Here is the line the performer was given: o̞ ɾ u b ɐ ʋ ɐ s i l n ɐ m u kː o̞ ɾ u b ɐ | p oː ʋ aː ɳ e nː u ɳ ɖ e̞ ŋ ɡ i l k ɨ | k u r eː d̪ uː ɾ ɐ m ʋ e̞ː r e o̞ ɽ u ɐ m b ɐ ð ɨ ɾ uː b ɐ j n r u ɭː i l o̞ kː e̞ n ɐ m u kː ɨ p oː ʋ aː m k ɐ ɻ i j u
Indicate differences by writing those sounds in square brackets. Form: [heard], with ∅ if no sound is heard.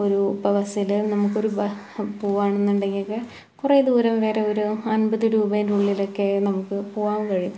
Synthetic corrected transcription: o̞ ɾ u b ɐ ʋ ɐ s i l n ɐ m u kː o̞ ɾ u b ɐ | p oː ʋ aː ɳ e nː u ɳ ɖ e̞ ŋ ɡ i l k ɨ | k u r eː d̪ uː ɾ ɐ m ʋ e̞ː r e o̞ [ɾ] u ɐ [n] b ɐ ð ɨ ɾ uː b ɐ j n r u ɭː i l o̞ kː e̞ n ɐ m u kː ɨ p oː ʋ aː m k ɐ ɻ i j u